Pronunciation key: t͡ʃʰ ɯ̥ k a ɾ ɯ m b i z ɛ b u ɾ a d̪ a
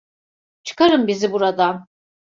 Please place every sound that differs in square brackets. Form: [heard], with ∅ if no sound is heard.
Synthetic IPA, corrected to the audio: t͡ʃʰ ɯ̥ k a ɾ ɯ m b i z [i] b u ɾ a d̪ a